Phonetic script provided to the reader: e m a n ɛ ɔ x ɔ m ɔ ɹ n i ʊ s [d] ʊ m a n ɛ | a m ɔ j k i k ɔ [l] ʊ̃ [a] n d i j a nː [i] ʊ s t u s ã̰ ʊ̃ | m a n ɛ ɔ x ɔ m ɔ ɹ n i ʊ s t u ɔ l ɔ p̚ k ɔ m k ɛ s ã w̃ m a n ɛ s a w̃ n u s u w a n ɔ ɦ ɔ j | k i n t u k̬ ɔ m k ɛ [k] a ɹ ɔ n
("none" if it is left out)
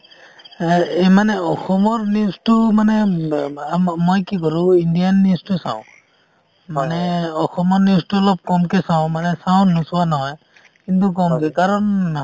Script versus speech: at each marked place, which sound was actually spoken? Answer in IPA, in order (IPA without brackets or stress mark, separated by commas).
t, ɹ, i, i, k